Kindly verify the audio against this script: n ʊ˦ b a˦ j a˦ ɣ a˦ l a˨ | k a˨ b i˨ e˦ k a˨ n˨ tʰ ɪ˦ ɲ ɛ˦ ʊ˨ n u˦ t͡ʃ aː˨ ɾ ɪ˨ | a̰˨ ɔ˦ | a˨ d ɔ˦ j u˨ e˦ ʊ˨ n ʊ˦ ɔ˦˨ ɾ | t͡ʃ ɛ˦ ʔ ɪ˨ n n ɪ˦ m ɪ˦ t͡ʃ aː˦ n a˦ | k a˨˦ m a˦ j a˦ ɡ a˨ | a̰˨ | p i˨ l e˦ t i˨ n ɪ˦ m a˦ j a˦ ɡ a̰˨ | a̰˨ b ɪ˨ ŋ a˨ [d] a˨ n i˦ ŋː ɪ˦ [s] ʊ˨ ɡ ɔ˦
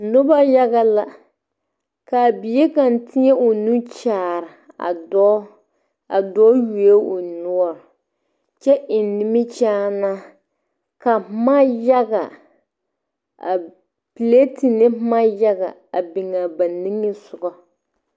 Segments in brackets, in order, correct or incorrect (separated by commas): incorrect, correct